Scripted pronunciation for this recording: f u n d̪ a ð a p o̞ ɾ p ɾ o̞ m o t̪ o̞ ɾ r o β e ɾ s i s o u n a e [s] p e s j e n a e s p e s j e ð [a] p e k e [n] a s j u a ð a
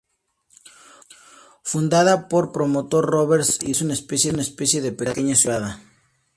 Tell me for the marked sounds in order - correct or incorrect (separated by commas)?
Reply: correct, incorrect, incorrect